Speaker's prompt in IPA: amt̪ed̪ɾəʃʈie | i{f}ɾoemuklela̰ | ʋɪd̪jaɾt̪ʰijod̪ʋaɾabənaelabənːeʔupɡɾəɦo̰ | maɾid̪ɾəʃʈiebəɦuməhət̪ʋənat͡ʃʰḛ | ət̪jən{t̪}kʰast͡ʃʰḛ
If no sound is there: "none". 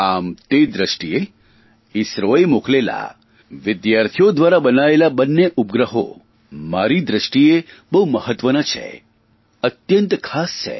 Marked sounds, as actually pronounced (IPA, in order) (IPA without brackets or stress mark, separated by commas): s, t̪